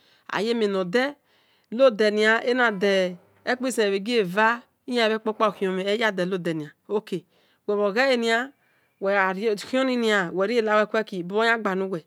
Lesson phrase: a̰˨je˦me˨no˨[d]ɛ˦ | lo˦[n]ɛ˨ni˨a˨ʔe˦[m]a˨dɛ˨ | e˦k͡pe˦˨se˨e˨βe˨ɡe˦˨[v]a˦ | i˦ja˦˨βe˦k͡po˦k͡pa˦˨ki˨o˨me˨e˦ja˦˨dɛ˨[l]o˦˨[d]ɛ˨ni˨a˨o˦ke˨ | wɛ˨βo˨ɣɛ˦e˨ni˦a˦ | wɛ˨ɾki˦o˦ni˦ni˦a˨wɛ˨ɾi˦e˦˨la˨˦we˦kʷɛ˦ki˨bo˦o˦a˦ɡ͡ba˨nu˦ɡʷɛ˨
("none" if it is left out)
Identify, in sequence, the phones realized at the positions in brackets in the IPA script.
d, d, n, v, l, d

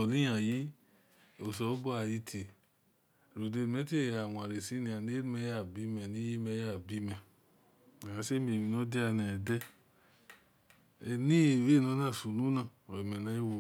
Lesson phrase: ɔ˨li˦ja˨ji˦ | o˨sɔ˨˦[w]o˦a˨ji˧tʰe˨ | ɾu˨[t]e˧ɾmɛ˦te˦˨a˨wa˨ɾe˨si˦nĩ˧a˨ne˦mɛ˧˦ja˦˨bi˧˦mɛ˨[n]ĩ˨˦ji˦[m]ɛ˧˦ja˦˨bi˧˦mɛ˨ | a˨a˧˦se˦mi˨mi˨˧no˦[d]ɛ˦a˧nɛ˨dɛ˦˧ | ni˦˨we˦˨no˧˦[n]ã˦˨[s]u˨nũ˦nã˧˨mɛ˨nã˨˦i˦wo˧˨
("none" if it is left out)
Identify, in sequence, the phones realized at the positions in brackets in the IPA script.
b, d, n, m, d, n, s

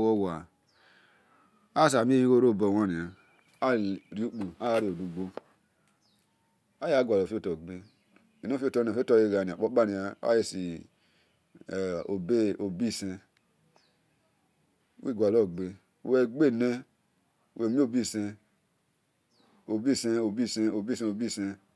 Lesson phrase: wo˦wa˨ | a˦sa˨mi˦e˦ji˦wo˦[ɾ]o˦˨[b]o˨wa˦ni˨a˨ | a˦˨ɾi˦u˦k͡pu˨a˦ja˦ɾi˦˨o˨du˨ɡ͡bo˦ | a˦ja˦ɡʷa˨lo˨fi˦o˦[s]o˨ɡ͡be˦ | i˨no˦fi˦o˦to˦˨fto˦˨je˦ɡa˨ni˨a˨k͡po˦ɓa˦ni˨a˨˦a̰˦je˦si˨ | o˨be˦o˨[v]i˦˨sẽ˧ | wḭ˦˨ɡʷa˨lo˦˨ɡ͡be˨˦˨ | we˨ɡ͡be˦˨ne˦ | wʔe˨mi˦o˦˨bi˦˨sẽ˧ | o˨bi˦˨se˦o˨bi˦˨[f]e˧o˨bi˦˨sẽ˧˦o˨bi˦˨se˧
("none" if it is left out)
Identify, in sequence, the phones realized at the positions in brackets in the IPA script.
ɾ, b, t, b, s

